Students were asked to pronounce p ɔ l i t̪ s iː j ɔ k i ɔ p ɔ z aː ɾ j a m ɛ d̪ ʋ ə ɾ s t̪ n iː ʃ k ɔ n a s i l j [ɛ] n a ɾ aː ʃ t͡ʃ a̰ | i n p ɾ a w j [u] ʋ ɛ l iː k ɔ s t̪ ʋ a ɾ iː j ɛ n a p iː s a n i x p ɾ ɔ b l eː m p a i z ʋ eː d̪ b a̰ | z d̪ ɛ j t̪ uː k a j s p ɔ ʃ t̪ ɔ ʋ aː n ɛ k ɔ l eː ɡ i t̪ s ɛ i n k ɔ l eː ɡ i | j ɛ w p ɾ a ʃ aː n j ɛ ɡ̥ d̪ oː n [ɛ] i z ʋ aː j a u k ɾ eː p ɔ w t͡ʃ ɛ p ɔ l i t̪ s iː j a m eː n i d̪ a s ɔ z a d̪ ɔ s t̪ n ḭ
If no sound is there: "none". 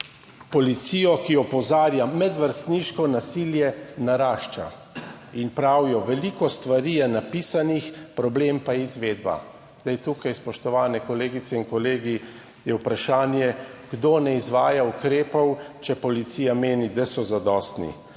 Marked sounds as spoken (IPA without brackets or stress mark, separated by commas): ɛ, ɔ, ɛ